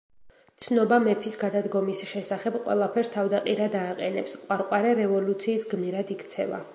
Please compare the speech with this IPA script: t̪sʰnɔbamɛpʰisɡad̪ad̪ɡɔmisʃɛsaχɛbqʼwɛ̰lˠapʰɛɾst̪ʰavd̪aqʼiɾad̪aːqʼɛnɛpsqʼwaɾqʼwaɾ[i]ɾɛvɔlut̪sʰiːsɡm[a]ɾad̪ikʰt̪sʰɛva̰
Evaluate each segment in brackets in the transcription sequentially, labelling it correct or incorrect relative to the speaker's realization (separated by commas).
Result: incorrect, incorrect